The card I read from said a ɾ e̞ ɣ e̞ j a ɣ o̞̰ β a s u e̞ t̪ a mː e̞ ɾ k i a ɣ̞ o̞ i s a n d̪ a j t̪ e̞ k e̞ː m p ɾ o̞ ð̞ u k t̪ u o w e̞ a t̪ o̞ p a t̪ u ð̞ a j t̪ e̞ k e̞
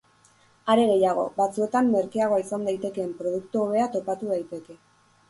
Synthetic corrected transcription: a ɾ e̞ ɣ e̞ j a ɣ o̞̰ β a t͡s u e̞ t̪ a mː e̞ ɾ k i a ɣ̞ o̞ i s a n d̪ a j t̪ e̞ k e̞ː m p ɾ o̞ ð̞ u k t̪ u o β e̞ a t̪ o̞ p a t̪ u ð̞ a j t̪ e̞ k e̞